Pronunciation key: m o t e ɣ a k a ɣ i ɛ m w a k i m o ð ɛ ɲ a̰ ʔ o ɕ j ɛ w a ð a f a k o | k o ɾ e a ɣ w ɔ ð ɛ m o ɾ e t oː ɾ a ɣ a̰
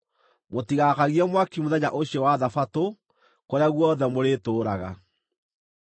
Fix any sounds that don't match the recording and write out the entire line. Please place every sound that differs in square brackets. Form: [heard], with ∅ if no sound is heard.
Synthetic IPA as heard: m o t [i] ɣ a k a ɣ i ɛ m w a k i m o ð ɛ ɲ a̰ ʔ o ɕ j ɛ w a ð a f a [t] o | k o ɾ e a ɣ w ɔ ð ɛ m o ɾ e t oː ɾ a ɣ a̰